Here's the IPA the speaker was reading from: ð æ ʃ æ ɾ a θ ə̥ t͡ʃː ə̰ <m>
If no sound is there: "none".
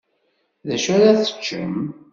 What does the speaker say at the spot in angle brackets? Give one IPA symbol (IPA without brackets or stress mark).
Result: m